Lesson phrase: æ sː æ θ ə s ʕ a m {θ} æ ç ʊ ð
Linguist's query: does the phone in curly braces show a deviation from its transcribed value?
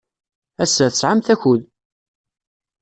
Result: no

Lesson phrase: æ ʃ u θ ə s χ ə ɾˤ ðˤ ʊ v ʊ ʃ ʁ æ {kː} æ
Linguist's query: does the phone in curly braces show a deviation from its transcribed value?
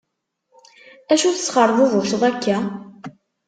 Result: no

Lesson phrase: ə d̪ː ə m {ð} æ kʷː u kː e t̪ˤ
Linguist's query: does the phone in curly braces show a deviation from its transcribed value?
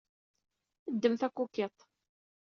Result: yes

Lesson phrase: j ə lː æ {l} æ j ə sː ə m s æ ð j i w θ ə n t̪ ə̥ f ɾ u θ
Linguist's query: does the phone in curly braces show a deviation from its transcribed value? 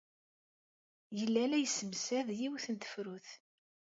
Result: no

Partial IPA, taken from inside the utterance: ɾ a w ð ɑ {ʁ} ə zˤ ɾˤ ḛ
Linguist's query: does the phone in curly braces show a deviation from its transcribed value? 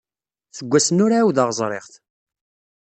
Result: no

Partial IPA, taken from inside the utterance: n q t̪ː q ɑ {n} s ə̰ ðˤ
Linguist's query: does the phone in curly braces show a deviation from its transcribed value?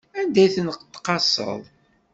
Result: yes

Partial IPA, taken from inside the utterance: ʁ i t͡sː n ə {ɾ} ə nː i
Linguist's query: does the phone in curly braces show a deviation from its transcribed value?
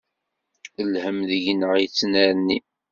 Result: no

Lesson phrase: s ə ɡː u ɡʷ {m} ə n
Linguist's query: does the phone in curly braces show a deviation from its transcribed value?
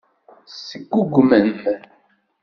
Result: no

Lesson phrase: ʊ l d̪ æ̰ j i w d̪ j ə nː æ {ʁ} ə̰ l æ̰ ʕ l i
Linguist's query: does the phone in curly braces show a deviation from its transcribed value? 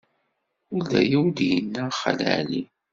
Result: yes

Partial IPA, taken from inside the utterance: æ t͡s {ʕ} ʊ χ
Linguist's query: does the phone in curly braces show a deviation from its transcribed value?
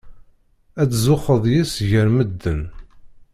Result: yes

